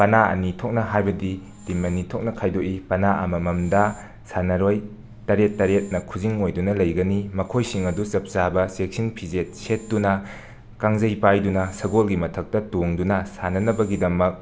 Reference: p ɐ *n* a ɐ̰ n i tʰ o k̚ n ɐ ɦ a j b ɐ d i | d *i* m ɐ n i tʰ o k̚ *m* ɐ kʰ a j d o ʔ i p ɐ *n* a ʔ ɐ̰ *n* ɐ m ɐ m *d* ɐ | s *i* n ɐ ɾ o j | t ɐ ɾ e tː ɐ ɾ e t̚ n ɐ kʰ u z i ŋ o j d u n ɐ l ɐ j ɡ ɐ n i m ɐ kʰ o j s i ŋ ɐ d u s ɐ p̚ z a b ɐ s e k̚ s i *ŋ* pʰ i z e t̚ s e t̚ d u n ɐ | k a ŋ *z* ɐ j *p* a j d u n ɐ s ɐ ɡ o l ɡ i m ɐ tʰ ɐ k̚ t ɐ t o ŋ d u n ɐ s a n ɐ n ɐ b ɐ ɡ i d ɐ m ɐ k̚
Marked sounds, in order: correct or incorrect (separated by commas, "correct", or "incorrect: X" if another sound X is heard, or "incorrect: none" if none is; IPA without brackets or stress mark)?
correct, correct, incorrect: n, correct, incorrect: m, correct, incorrect: a, incorrect: n, correct, correct